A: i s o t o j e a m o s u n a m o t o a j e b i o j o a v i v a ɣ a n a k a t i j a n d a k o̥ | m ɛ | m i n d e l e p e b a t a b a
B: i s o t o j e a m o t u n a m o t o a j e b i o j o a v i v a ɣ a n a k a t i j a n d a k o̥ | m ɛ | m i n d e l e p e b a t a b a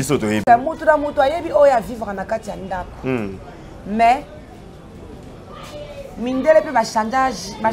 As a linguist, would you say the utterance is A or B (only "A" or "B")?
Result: B